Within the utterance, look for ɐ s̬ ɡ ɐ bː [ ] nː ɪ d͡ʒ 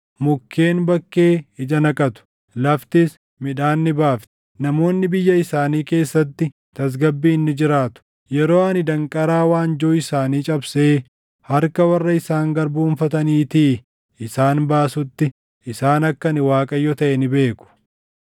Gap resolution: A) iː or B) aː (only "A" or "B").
A